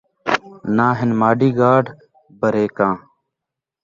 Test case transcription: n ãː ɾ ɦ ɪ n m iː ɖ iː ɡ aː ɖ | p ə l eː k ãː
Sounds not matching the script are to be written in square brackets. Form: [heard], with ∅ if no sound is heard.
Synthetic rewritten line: n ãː [∅] ɦ ɪ n m [aː] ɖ iː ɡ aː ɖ | [b] ə [ɾ] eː k ãː

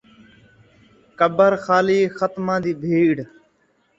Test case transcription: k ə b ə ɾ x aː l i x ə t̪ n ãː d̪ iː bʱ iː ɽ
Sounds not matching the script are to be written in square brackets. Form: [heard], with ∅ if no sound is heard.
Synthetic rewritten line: k ə b ə ɾ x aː l [iː] x ə t̪ [m] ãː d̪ iː bʱ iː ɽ

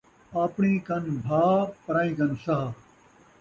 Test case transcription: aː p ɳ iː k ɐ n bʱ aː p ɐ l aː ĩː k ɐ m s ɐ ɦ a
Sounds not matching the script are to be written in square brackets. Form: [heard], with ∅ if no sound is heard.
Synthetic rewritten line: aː p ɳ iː k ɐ n bʱ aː p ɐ [ɾ] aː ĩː k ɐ [n] s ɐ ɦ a

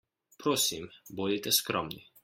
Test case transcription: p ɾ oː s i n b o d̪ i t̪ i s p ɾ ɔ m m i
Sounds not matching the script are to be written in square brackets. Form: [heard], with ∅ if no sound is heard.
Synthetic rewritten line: p ɾ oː s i [m] b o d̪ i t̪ [ɛ] s [k] ɾ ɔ m [n] i

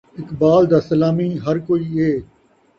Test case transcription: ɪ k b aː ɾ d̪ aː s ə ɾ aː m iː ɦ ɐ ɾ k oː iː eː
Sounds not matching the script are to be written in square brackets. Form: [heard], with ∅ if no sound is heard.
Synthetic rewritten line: ɪ k b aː [l] d̪ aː s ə [l] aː m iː ɦ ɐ ɾ k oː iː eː

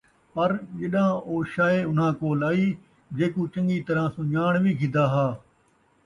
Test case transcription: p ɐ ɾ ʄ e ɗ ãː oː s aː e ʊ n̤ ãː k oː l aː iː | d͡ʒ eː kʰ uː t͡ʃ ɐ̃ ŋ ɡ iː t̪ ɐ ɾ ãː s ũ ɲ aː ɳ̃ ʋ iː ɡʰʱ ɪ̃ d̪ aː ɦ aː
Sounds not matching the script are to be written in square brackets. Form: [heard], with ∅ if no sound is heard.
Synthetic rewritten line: p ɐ ɾ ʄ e ɗ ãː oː [ʃ] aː e ʊ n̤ ãː k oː l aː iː | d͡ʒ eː [k] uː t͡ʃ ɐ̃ ŋ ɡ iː t̪ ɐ ɾ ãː s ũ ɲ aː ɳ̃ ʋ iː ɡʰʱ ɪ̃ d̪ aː ɦ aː

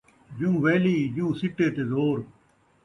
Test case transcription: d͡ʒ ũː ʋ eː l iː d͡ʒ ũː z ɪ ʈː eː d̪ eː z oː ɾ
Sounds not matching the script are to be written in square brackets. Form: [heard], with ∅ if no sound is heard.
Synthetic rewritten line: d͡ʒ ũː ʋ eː l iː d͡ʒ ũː [s] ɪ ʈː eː [t̪] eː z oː ɾ

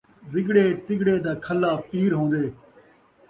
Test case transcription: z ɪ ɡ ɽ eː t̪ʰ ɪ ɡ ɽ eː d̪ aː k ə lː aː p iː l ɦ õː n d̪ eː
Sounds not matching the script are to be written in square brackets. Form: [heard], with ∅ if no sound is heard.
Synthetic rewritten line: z ɪ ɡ ɽ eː [t̪] ɪ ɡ ɽ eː d̪ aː [kʰ] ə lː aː p iː [ɾ] ɦ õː n d̪ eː

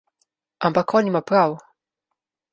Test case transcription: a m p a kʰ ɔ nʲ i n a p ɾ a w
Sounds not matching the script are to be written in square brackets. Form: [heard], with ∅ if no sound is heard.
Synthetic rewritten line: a m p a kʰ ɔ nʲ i [m] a p ɾ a w

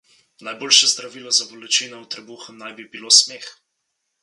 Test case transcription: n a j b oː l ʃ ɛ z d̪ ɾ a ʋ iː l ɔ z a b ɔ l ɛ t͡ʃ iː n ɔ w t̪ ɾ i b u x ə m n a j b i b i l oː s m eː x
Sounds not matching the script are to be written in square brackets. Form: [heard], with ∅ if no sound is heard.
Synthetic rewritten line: n a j b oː l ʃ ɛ z d̪ ɾ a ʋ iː l ɔ z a b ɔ l ɛ t͡ʃ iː n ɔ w t̪ ɾ [ɛ] b u x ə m n a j b i b i l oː s m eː x

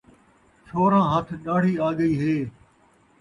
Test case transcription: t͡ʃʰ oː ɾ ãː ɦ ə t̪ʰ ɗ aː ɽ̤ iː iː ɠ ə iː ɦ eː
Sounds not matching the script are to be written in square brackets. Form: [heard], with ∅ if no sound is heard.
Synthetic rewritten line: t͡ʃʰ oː ɾ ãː ɦ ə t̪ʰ ɗ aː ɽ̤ iː [aː] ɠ ə iː ɦ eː

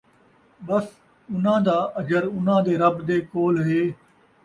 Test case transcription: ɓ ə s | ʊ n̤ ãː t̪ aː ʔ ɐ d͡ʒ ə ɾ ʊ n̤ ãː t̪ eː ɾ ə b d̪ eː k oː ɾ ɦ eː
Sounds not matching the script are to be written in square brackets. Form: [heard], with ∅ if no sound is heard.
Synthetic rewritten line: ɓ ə s | ʊ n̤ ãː [d̪] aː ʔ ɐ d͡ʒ ə ɾ ʊ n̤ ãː [d̪] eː ɾ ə b d̪ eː k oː [l] ɦ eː

